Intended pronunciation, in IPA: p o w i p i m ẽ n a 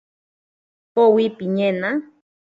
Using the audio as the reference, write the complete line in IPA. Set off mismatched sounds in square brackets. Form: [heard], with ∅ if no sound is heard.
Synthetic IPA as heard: p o w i p i [ɲ] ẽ n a